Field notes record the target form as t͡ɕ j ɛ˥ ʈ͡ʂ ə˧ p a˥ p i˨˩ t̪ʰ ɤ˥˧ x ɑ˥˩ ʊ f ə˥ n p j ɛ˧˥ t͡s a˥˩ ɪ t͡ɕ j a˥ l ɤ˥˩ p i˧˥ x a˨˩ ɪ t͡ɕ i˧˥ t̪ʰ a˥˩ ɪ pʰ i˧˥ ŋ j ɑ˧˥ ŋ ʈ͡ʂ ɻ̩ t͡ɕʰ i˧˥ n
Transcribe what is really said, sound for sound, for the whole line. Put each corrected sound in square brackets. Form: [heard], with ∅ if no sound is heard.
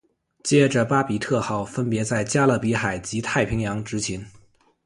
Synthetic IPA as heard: t͡ɕ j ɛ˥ ʈ͡ʂ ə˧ p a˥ p i˨˩ t̪ʰ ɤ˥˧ x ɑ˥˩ ʊ f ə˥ n p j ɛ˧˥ t͡s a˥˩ ɪ t͡ɕ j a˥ l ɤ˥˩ p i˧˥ x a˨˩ ɪ t͡ɕ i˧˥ t̪ʰ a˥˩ ɪ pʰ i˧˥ ŋ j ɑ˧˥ ŋ ʈ͡ʂ ɻ̩ t͡ɕʰ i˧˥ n